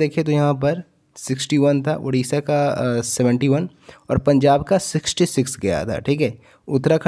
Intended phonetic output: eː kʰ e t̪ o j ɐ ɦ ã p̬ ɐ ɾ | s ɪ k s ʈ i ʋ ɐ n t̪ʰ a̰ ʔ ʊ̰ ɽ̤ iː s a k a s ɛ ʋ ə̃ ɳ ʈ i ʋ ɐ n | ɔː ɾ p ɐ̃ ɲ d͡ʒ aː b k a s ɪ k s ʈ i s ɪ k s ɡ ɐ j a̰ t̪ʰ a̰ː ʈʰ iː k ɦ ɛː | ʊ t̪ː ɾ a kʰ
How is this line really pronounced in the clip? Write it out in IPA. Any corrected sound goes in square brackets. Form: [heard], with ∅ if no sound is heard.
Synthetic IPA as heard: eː kʰ e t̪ o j ɐ ɦ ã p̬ ɐ ɾ | s ɪ k s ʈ i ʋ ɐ n t̪ʰ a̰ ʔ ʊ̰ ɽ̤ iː s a k a s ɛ ʋ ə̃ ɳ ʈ i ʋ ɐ n | ɔː ɾ p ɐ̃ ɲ d͡ʒ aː b k a s ɪ k s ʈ i s ɪ k s ɡ ɐ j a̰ t̪ʰ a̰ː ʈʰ iː k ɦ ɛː | ʊ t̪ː ɾ a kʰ

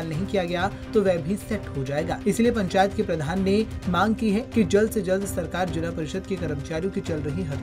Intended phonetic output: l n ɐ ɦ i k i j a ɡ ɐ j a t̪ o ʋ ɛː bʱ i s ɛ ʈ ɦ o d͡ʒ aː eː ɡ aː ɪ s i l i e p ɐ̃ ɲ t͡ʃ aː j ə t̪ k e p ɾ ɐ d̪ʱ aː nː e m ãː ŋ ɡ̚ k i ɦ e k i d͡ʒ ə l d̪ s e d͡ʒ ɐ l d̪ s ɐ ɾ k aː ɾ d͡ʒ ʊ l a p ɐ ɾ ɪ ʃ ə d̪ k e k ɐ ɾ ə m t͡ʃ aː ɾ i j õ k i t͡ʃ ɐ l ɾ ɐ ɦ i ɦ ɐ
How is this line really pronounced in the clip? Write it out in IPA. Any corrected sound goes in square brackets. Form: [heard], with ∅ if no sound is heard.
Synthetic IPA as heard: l n ɐ ɦ [ĩ] k i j a ɡ ɐ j a t̪ o ʋ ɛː bʱ i s ɛ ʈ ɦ o d͡ʒ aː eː ɡ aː ɪ s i l i e p ɐ̃ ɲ t͡ʃ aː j ə t̪ k e p ɾ ɐ d̪ʱ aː nː e m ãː ŋ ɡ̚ k i ɦ [ɛ] k i d͡ʒ [ɐ] l d̪ s e d͡ʒ ɐ l d̪ s ɐ ɾ k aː ɾ d͡ʒ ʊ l a p ɐ ɾ ɪ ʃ ə d̪ k e k ɐ ɾ ə m t͡ʃ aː ɾ i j õ k i t͡ʃ ɐ l ɾ ɐ ɦ i ɦ ɐ

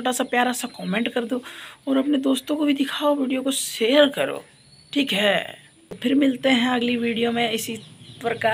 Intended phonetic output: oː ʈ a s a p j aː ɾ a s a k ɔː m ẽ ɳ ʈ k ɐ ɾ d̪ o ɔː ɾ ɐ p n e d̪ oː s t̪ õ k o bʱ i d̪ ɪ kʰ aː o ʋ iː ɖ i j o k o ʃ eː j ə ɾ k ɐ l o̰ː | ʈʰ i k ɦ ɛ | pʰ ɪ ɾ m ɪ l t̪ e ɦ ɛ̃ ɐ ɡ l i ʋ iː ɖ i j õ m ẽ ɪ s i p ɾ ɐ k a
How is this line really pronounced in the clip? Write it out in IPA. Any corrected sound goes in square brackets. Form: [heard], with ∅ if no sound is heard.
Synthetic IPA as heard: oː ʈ a s a p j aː ɾ a s a k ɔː m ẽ ɳ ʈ k ɐ ɾ d̪ o ɔː ɾ ɐ p n e d̪ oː s t̪ õ k o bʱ i d̪ ɪ kʰ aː o ʋ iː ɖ i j o k o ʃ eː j ə ɾ k ɐ [ɾ] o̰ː | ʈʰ [iː] k ɦ ɛ | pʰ ɪ ɾ m ɪ l t̪ e ɦ ɛ̃ ɐ ɡ l i ʋ iː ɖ i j [o] m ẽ ɪ s i p ɾ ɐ k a

